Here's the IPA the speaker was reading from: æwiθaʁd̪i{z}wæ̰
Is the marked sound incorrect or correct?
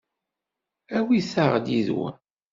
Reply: incorrect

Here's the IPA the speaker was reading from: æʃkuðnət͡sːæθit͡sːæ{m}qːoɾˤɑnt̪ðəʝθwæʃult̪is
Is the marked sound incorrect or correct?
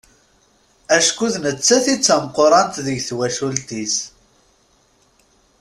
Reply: correct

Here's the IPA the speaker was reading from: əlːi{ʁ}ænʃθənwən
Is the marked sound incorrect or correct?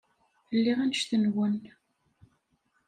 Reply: correct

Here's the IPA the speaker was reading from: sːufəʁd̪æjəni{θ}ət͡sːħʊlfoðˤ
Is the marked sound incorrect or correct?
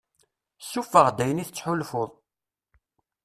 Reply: correct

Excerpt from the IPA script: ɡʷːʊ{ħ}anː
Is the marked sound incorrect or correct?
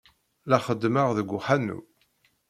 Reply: correct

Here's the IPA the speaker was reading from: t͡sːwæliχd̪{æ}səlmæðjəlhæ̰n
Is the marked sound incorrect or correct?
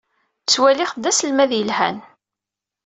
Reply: correct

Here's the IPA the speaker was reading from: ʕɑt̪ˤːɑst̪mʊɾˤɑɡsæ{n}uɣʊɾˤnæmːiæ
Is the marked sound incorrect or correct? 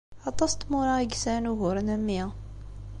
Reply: correct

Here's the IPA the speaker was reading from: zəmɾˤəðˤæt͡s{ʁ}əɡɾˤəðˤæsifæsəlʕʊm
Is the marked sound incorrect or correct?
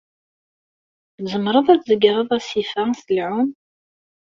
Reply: incorrect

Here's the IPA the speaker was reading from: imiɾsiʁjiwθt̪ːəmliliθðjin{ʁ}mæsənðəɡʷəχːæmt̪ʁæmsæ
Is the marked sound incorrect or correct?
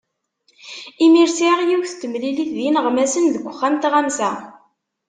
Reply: correct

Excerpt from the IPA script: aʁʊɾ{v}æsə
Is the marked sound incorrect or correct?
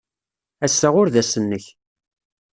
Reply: incorrect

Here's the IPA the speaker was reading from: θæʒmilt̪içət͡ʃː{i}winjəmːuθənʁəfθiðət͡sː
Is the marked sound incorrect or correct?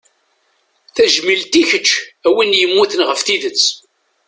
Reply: incorrect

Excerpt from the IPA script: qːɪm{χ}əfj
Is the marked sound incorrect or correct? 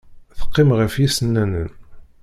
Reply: incorrect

